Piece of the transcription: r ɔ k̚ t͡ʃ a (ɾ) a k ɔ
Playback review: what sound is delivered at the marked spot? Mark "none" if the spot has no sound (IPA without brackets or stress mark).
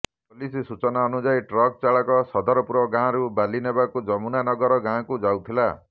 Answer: ɭ